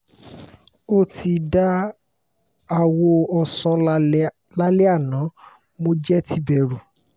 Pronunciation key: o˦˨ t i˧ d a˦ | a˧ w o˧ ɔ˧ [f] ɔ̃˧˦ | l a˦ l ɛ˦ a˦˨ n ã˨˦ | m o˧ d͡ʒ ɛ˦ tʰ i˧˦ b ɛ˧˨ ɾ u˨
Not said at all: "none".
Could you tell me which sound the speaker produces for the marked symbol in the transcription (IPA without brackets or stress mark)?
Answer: s